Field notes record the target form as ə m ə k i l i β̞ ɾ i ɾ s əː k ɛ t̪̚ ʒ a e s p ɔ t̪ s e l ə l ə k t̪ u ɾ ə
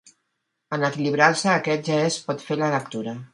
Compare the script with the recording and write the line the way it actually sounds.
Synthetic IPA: ə n ə k i l i β̞ ɾ a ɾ s əː k ɛ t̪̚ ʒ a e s p ɔ t̪ f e l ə l ə k t̪ u ɾ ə